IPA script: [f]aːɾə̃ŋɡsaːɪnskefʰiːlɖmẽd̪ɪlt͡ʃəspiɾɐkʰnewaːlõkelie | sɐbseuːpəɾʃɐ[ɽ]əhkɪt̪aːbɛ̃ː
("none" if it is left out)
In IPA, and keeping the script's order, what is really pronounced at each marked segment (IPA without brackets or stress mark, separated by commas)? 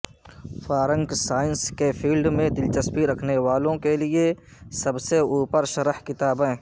f, ɾ